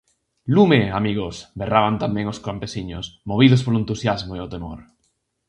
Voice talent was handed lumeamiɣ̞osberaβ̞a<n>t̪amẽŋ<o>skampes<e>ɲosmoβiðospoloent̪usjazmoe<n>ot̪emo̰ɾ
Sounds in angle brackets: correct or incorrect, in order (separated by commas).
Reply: correct, correct, incorrect, incorrect